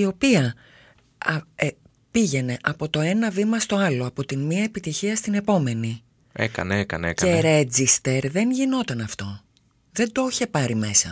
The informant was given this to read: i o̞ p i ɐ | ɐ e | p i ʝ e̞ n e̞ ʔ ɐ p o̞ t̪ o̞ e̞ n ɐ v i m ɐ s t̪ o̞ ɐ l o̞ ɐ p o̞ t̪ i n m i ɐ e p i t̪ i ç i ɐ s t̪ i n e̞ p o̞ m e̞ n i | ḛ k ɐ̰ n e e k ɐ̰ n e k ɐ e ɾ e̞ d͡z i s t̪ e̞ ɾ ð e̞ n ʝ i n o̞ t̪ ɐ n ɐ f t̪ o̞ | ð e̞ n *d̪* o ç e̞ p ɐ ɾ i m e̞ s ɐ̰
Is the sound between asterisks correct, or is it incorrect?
correct